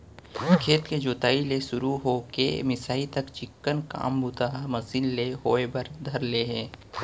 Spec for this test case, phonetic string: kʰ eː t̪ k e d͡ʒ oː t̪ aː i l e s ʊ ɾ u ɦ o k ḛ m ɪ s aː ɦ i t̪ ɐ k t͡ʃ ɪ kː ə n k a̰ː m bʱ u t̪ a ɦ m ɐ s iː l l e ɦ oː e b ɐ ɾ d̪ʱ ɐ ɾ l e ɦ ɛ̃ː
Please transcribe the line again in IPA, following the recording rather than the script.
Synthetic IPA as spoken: kʰ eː t̪ k e d͡ʒ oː t̪ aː i l e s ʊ ɾ u ɦ o k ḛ m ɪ s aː i t̪ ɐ k t͡ʃ ɪ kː ə n k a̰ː m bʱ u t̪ a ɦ m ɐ s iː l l e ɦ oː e b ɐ ɾ d̪ʱ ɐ ɾ l e ɦ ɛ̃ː